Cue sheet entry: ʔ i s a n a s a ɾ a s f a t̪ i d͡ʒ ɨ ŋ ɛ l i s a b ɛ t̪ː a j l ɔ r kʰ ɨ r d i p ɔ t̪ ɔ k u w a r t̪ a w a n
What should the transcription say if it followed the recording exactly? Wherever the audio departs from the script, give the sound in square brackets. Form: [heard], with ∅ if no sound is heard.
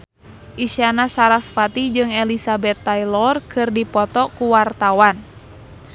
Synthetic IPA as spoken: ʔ i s a n a s a ɾ a s f a t̪ i d͡ʒ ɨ ŋ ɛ l i s a b ɛ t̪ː a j l ɔ r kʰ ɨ r d i p ɔ t̪ ɔ k u w a r t̪ a w a n